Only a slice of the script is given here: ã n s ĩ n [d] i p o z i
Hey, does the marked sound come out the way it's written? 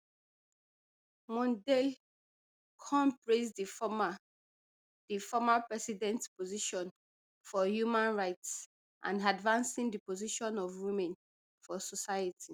yes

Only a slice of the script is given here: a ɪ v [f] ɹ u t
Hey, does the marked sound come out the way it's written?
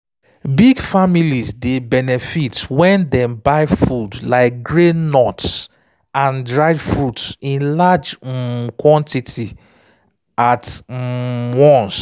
yes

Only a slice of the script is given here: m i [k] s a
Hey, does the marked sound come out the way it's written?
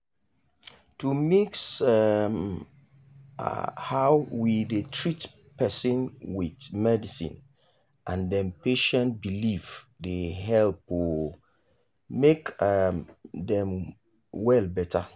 yes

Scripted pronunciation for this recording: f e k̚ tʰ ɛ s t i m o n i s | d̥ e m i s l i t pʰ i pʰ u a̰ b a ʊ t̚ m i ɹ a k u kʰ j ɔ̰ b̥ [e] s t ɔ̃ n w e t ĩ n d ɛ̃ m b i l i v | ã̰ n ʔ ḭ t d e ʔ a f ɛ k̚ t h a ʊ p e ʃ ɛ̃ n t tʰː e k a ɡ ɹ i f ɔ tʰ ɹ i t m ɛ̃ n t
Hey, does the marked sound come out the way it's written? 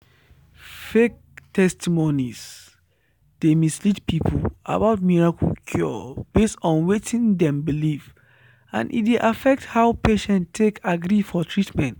yes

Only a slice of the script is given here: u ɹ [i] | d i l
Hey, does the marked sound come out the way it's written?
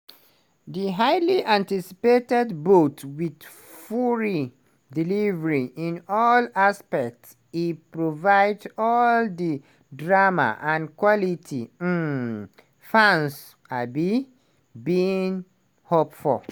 yes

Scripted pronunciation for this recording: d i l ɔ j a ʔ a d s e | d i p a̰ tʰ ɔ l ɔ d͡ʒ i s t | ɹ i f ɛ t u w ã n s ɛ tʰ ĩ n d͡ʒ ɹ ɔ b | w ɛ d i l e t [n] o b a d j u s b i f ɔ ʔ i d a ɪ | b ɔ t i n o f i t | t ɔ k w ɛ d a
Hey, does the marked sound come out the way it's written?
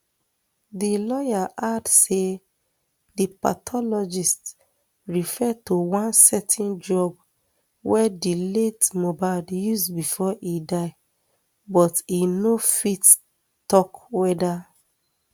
no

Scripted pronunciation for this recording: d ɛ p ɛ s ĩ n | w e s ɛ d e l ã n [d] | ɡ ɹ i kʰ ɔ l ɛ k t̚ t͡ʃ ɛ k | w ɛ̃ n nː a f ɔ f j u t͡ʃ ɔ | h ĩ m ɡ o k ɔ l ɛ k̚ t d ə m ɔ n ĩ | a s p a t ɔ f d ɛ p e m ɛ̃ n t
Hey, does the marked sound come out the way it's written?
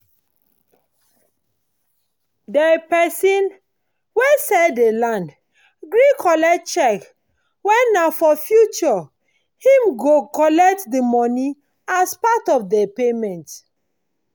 yes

